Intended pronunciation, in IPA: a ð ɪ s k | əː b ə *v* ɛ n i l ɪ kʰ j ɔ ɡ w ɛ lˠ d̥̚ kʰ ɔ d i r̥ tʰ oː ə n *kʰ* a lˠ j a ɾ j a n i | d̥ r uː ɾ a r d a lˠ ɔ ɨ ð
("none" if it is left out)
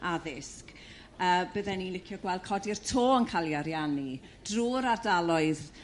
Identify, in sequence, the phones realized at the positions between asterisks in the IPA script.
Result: ð, kʰ

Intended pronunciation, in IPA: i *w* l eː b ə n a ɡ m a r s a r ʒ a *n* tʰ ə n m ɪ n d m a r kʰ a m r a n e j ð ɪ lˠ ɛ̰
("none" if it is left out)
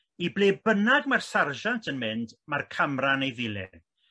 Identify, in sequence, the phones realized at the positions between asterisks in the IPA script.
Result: b, n

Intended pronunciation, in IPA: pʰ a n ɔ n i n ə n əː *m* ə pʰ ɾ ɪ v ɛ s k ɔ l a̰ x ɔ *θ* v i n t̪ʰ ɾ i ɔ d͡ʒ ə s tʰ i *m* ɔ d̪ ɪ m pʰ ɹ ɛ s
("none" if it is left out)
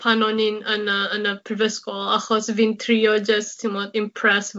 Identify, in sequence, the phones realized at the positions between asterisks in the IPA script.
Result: n, s, m

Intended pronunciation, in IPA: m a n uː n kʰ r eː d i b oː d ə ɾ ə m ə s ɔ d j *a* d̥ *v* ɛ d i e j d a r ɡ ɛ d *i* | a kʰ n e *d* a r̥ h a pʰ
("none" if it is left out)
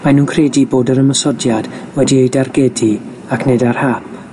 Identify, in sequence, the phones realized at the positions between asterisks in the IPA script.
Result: a, w, i, d

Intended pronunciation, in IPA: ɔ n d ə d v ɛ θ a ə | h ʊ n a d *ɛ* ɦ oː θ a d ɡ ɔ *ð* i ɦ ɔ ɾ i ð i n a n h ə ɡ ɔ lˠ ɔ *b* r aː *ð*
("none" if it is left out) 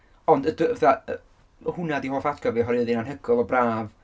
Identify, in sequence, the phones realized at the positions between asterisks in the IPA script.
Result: i, v, b, v

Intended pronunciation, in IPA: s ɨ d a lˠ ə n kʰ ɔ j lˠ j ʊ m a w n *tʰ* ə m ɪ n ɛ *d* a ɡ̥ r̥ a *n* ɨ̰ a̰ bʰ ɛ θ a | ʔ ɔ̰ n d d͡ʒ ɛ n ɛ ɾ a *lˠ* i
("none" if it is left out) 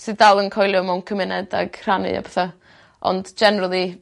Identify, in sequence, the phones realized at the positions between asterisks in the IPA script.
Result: kʰ, d, n, lˠ

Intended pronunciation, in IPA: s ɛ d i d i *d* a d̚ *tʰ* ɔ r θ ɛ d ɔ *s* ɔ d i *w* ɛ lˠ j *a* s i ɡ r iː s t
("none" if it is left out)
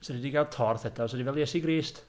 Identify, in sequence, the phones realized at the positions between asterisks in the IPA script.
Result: ɡ, tʰ, s, v, ɛ

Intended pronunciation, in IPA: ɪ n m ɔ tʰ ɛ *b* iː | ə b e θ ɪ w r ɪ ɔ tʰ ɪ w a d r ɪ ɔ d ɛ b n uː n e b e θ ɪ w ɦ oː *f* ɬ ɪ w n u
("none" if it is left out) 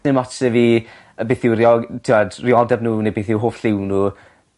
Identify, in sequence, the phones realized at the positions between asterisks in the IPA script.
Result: v, f

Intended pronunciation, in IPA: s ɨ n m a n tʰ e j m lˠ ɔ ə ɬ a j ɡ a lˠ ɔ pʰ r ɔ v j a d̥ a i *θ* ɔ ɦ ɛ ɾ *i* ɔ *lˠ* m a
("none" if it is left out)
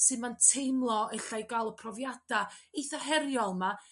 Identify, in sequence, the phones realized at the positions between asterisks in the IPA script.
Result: θ, j, lˠ

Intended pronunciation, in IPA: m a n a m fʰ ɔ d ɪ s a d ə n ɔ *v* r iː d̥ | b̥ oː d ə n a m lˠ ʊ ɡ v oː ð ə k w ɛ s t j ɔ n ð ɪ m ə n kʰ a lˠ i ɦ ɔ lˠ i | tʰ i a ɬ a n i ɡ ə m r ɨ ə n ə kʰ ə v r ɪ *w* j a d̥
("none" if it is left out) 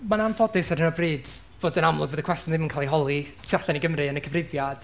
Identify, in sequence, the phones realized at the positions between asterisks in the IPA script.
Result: b, v

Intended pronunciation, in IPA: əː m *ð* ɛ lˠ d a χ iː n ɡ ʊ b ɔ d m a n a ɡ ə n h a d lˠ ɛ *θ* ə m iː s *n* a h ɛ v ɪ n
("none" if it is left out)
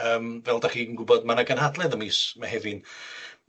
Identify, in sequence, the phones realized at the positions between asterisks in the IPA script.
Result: v, ð, m

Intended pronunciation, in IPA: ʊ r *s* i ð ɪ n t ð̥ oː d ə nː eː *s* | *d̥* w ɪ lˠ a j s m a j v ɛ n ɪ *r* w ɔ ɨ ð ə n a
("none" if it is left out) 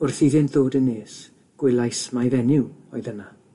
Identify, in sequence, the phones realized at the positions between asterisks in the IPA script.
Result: θ, s, ɡ̥, none

